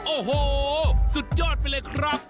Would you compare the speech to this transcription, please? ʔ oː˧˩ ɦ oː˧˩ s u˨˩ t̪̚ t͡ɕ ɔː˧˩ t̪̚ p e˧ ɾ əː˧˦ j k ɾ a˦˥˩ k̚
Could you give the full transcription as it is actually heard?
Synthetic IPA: ʔ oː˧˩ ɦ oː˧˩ s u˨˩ t̪̚ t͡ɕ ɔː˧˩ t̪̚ p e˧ l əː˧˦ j kʰ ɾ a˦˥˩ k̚

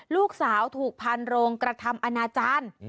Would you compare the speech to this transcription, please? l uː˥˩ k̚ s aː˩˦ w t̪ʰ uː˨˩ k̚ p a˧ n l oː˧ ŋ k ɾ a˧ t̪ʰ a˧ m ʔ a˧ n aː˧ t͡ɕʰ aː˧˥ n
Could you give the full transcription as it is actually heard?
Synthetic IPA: l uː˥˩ k̚ s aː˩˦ w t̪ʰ uː˨˩ k̚ pʰ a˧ n ɾ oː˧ ŋ k ɾ a˧ t̪ʰ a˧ m ʔ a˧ n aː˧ t͡ɕ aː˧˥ n

